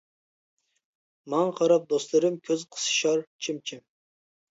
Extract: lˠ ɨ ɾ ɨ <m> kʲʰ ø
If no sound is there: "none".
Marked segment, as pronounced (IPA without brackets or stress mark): m